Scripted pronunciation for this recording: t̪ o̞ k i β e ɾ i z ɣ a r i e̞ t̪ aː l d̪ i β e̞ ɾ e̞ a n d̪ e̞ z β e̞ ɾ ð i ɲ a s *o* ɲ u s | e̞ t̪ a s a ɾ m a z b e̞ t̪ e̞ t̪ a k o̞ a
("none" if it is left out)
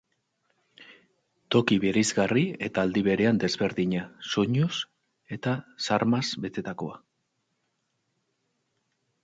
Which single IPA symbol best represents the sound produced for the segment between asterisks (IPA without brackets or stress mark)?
o